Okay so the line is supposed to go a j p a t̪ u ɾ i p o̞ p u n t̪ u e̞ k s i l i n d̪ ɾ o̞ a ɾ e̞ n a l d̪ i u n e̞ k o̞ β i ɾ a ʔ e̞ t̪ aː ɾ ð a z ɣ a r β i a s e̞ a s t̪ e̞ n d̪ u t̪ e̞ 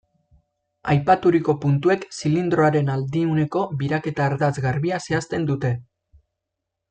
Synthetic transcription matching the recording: a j p a t̪ u ɾ i k o̞ p u n t̪ u e̞ k s i l i n d̪ ɾ o̞ a ɾ e̞ n a l d̪ i u n e̞ k o̞ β i ɾ a k e̞ t̪ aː ɾ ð a z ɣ a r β i a s e̞ a s t̪ e̞ n d̪ u t̪ e̞